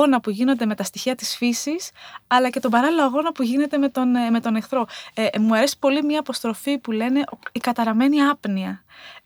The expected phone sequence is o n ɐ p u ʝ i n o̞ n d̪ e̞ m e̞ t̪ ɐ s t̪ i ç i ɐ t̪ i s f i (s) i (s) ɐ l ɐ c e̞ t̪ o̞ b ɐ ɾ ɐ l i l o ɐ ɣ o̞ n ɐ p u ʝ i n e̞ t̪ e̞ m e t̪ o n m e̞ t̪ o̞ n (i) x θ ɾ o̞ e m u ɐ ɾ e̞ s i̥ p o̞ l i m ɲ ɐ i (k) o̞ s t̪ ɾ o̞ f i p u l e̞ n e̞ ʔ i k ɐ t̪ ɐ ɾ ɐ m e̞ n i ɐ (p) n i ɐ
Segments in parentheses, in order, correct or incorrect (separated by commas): correct, correct, incorrect, incorrect, correct